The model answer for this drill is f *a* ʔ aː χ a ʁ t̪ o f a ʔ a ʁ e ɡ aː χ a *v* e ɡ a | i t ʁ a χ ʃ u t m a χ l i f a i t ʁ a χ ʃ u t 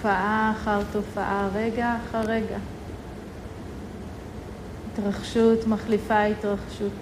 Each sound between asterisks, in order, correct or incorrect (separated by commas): correct, incorrect